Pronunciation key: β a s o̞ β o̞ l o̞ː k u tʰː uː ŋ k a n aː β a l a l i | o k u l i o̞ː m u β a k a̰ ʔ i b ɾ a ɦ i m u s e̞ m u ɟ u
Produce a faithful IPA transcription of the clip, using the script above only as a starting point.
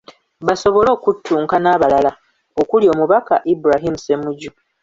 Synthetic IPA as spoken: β a s o̞ β o̞ l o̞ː k u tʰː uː ŋ k a n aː β a l a l a | o k u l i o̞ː m u β a k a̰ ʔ i b ɾ a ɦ i m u s e̞ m u ɟ u